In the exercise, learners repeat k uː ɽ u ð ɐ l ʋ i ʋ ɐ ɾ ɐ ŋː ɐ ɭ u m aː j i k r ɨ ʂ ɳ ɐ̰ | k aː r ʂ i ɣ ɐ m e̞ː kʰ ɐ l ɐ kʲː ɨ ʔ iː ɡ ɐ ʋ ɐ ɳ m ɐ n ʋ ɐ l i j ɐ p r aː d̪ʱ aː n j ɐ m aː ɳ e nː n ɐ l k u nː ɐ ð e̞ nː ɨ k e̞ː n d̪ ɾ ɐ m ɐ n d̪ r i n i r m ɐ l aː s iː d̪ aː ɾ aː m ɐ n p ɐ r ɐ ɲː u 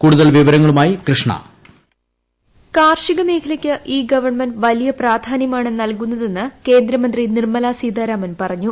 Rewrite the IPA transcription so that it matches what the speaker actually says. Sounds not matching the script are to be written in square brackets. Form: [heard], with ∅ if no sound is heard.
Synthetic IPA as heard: k uː ɽ u ð ɐ l ʋ i ʋ ɐ ɾ ɐ ŋː ɐ ɭ u m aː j i k r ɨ ʂ ɳ ɐ̰ | k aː r ʂ i ɣ ɐ m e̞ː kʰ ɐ l ɐ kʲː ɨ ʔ iː ɡ ɐ ʋ ɐ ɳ m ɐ n ʋ ɐ l i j ɐ p r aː d̪ʱ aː n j ɐ m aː ɳ e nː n ɐ l k u nː ɐ ð e̞ nː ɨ k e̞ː n d̪ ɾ ɐ m ɐ n d̪ r i n i r m ɐ l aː s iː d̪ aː ɾ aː m ɐ n p ɐ r ɐ ɲː u

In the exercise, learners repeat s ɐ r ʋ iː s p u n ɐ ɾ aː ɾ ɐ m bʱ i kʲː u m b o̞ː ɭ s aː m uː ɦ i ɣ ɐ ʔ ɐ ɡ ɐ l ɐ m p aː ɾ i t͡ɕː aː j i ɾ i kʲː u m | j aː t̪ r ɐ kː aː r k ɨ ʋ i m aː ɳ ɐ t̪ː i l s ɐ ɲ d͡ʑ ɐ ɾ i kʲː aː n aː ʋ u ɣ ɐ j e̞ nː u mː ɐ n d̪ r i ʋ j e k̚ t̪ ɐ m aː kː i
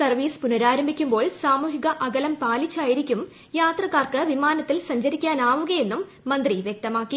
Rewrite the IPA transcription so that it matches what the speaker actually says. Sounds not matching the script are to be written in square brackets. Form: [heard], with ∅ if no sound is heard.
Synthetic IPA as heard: s ɐ r ʋ iː s p u n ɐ ɾ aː ɾ ɐ m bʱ i kʲː u m b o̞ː ɭ s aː m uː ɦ i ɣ ɐ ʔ ɐ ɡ ɐ l ɐ m p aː [l] i t͡ɕː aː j i ɾ i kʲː u m | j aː t̪ r ɐ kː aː r k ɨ ʋ i m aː [n] ɐ t̪ː i l s ɐ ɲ d͡ʑ ɐ ɾ i kʲː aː n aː ʋ u ɣ ɐ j e̞ nː u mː ɐ n d̪ r i ʋ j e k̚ t̪ ɐ m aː kː i

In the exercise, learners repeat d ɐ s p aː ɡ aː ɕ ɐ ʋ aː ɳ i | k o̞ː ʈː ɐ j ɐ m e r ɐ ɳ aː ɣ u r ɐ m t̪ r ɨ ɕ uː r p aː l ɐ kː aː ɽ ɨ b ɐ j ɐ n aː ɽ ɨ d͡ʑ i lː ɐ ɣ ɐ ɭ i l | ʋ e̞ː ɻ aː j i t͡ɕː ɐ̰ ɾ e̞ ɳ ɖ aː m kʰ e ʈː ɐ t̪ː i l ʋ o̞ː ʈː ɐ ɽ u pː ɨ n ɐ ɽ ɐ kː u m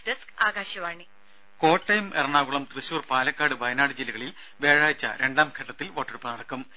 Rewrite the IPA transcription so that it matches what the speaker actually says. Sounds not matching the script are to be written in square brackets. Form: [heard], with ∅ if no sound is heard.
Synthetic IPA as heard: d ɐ s [k] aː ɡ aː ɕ ɐ ʋ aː ɳ i | k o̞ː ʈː ɐ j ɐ m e r ɐ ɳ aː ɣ u [ɭ] ɐ m t̪ r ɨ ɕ uː r p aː l ɐ kː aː ɽ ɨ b ɐ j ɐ n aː ɽ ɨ d͡ʑ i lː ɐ ɣ ɐ ɭ i l | ʋ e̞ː ɻ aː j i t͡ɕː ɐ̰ ɾ e̞ ɳ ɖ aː m kʰ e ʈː ɐ t̪ː i l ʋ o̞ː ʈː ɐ ɽ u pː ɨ n ɐ ɽ ɐ kː u m

